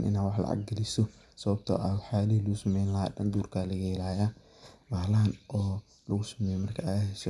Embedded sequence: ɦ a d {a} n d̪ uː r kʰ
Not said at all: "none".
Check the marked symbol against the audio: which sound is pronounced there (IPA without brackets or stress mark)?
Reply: ɐ